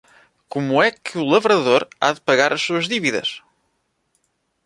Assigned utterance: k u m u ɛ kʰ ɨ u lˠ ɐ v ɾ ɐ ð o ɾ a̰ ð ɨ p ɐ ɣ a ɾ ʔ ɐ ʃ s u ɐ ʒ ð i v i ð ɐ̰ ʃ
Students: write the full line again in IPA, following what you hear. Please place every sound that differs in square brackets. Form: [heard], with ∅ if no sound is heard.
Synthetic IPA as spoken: k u m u ɛ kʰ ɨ u lˠ ɐ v ɾ ɐ ð o ɾ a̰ ð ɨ p ɐ ɣ a ɾ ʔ ɐ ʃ s u ɐ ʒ ð i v i ð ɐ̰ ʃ